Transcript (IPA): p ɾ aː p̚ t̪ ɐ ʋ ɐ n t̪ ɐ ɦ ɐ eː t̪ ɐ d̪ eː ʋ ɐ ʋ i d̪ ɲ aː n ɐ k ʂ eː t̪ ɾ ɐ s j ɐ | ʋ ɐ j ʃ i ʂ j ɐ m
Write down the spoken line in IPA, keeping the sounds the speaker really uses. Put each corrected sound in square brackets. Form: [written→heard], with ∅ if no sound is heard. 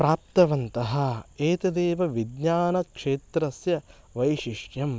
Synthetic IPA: p ɾ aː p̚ t̪ ɐ ʋ ɐ n t̪ ɐ ɦ ɐ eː t̪ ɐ d̪ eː ʋ ɐ ʋ i d̪ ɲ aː n ɐ k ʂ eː t̪ ɾ ɐ s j ɐ | ʋ ɐ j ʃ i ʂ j ɐ m